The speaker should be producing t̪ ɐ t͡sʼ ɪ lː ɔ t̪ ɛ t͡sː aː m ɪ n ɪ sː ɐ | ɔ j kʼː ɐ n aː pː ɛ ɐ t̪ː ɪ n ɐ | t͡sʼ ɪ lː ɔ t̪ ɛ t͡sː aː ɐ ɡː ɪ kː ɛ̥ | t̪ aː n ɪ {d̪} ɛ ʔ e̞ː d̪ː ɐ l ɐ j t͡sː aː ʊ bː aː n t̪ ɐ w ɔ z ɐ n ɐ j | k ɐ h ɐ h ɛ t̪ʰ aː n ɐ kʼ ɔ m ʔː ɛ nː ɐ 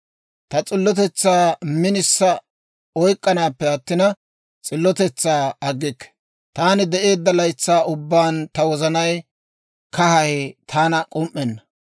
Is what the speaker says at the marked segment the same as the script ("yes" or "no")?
yes